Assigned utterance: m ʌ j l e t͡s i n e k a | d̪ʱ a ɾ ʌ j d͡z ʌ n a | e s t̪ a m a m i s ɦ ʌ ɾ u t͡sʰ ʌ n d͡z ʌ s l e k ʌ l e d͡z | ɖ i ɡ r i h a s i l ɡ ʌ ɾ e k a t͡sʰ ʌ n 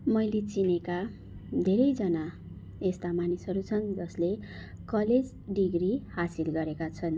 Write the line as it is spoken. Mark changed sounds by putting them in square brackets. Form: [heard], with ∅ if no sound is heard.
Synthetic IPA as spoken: m ʌ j l e t͡s i n e k a | d̪ʱ [e] ɾ ʌ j d͡z ʌ n a | e s t̪ a m a [n] i s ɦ ʌ ɾ u t͡sʰ ʌ n d͡z ʌ s l e k ʌ l e d͡z | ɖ i ɡ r i h a s i l ɡ ʌ ɾ e k a t͡sʰ ʌ n